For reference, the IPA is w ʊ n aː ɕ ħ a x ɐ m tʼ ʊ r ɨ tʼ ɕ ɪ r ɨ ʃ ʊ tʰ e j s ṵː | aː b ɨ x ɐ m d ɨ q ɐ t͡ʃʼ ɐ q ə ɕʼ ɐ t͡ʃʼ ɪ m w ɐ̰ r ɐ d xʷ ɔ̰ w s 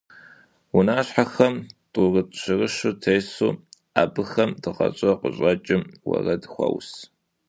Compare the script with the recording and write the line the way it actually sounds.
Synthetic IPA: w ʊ n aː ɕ ħ a x ɐ m tʼ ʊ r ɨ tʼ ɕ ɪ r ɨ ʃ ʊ tʰ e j s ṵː | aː b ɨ x ɐ m d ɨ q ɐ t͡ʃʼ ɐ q ə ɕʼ ɐ t͡ʃʼ ɪ m w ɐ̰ r ɐ d xʷ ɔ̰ w s